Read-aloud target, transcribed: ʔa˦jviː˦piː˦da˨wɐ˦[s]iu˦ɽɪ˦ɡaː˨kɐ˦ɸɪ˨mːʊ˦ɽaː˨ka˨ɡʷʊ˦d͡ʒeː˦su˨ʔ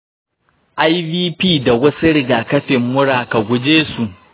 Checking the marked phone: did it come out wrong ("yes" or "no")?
no